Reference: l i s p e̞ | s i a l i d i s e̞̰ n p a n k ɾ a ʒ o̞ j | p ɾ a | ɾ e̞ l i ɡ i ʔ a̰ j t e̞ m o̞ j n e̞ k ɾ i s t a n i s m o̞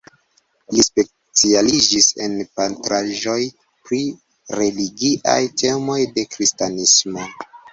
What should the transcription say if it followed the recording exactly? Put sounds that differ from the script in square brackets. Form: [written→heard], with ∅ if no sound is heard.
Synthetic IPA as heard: l i s p e̞ | [s→t͡s] i a l i [d→d͡ʒ] i s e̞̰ n p a n [k→t] ɾ a ʒ o̞ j | p ɾ [a→i] | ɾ e̞ l i ɡ i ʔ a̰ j t e̞ m o̞ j [n→d] e̞ k ɾ i s t a n i s m o̞

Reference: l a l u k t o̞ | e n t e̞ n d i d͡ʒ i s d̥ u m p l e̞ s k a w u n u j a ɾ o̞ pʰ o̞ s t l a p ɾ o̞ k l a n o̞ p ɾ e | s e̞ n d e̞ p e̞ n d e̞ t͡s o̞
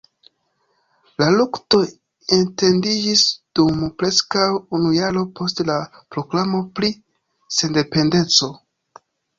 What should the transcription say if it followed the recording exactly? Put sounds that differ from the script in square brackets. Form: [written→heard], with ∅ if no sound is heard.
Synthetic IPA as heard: l a l u k t o̞ | e n t e̞ n d i d͡ʒ i s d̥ u m p [l→ɾ] e̞ s k a w u n u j a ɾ o̞ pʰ o̞ s t l a p ɾ o̞ k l a [n→m] o̞ p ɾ [e→i] | s e̞ n d e̞ p e̞ n d e̞ t͡s o̞

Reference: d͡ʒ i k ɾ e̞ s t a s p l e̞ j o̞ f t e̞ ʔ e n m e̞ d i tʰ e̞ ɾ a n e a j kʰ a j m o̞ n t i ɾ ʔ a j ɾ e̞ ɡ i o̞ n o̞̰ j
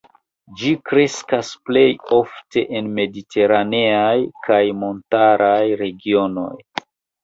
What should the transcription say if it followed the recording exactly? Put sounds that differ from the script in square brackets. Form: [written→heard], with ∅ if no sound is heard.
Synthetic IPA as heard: d͡ʒ i k ɾ e̞ s [t→k] a s p l e̞ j o̞ f t e̞ ʔ e n m e̞ d i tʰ e̞ ɾ a n e a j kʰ a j m o̞ n t [i→a] ɾ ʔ a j ɾ e̞ ɡ i o̞ n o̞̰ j

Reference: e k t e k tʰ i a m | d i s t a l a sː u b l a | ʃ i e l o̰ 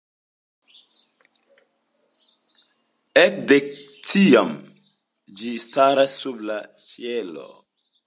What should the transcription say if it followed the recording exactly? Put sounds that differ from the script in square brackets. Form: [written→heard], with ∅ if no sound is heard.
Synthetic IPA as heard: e k [t→d] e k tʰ i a m | [d→d͡ʒ] i s t a [l→ɾ] a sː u b l a | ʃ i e l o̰

